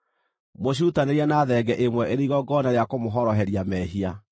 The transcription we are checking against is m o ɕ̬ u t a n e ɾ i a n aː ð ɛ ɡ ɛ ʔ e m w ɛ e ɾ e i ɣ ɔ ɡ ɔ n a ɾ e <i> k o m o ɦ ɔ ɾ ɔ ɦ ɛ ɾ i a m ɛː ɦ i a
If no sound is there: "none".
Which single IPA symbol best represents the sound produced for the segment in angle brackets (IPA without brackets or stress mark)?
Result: a